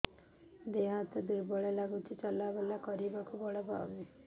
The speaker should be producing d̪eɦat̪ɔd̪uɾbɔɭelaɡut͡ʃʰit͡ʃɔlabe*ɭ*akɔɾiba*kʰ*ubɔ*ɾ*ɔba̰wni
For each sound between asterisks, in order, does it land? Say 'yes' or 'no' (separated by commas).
no, no, no